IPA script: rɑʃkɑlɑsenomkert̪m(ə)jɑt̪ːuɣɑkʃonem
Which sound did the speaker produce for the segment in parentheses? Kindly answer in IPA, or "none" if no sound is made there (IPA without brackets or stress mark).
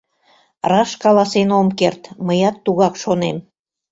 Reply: ə